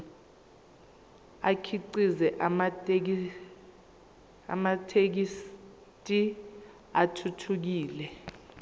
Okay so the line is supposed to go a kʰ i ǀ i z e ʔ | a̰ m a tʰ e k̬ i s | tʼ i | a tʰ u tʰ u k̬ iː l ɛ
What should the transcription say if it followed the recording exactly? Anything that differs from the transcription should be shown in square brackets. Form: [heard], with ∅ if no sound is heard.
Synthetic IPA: a kʰ i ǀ i z [ɛ] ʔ | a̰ m a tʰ e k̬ i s | tʼ i | a tʰ u tʰ u k̬ iː l ɛ